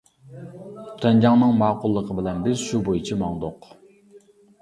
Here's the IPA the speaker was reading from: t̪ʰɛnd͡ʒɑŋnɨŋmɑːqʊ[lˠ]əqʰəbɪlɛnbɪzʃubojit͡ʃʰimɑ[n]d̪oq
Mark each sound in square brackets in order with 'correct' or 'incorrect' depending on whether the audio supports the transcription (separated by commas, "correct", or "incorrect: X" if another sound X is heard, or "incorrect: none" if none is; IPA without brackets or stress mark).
incorrect: lˠː, incorrect: ŋ